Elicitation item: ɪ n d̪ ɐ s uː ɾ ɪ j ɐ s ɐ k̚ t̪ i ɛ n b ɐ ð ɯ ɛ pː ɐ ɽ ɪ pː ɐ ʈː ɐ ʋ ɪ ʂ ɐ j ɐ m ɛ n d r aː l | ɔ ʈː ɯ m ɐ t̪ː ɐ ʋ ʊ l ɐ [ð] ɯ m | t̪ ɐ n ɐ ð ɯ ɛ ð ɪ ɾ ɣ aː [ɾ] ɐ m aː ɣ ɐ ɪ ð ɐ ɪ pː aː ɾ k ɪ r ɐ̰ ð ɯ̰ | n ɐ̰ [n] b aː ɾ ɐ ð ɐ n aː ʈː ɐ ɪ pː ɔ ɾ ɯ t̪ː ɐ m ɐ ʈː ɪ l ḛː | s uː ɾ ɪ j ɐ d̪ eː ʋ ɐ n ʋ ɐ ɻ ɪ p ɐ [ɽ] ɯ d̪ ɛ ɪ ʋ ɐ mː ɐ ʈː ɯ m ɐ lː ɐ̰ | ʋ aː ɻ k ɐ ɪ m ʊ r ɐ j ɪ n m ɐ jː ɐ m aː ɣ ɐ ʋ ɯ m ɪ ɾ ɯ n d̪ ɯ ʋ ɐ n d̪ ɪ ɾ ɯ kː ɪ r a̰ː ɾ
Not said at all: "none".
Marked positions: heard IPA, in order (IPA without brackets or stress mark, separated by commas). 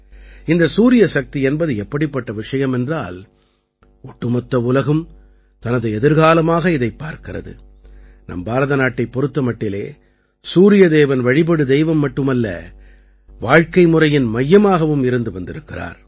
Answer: ɣ, l, m, ɽ